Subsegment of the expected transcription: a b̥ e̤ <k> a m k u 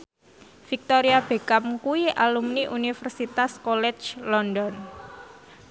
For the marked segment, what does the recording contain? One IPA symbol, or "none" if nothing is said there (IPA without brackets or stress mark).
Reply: k